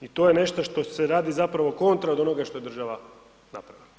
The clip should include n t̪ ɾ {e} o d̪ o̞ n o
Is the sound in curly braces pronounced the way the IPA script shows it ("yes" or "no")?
no